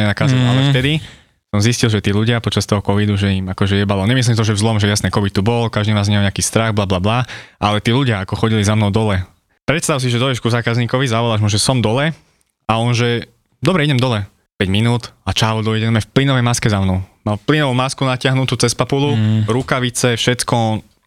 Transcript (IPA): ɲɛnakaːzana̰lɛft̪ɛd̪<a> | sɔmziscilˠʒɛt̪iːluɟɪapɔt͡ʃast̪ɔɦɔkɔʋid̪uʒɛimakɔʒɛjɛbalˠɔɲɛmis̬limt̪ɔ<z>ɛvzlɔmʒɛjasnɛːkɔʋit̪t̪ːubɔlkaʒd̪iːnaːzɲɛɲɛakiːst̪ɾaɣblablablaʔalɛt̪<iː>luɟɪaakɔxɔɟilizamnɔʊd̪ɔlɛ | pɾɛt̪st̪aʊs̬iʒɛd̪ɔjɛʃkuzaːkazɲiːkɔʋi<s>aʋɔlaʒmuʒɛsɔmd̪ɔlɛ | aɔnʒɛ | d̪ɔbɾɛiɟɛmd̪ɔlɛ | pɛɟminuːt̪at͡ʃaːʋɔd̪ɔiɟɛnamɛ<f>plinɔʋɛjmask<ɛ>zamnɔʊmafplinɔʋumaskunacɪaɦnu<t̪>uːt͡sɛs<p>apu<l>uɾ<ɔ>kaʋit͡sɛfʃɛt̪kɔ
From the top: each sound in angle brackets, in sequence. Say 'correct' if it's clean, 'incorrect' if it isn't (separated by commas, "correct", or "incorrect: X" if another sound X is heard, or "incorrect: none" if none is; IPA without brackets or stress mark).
incorrect: i, incorrect: ʒ, correct, incorrect: z, correct, correct, correct, correct, correct, incorrect: u